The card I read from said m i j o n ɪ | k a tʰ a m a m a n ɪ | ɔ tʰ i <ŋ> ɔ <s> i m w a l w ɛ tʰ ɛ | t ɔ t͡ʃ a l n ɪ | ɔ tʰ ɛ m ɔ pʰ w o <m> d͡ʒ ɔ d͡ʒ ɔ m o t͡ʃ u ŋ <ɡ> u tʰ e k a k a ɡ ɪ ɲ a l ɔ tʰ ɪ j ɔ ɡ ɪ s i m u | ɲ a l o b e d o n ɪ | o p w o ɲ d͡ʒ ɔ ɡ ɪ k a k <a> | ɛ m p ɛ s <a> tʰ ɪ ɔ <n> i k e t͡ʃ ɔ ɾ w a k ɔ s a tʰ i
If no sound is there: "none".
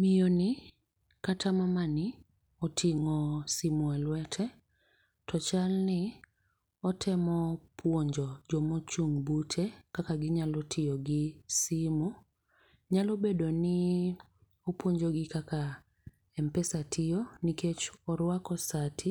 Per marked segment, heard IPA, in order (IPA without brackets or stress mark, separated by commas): ŋ, s, ɲ, b, a, a, n